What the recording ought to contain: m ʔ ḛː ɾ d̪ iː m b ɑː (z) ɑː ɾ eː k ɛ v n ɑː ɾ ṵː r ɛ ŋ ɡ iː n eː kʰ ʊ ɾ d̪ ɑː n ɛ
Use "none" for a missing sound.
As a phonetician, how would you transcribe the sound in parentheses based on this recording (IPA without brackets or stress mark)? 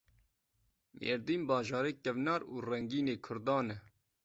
ʒ